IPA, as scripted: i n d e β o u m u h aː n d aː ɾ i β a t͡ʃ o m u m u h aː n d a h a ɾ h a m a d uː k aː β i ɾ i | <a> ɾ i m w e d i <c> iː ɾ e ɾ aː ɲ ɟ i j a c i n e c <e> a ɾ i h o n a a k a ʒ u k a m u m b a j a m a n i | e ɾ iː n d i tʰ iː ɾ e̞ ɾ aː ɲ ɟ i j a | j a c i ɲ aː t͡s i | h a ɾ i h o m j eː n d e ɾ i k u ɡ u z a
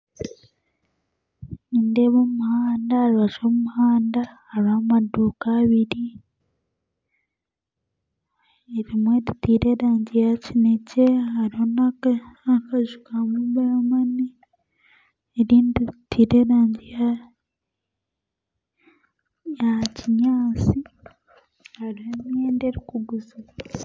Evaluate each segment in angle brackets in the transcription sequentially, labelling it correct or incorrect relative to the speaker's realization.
incorrect: e, incorrect: t, correct

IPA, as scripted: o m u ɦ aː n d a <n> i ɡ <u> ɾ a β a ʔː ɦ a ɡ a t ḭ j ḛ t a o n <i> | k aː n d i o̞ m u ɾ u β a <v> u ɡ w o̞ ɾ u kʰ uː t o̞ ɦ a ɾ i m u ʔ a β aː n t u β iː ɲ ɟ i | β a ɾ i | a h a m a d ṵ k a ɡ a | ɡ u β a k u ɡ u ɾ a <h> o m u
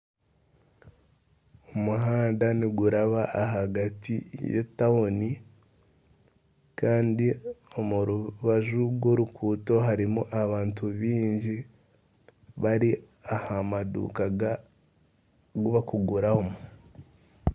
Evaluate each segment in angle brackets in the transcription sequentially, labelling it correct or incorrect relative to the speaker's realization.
correct, correct, correct, incorrect: ʒ, correct

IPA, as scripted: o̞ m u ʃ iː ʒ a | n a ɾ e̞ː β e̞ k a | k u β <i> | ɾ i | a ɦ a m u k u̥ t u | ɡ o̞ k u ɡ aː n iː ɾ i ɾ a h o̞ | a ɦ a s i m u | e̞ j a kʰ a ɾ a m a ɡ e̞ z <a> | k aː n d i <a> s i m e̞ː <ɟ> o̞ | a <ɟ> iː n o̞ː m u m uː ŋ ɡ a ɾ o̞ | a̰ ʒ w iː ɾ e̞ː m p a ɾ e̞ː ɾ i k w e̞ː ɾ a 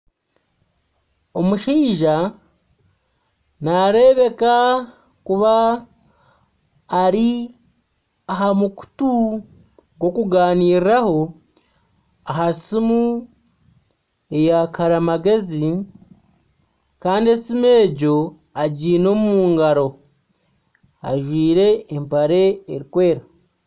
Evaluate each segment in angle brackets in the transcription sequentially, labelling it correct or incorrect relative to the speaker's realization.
incorrect: a, incorrect: i, incorrect: e, correct, correct

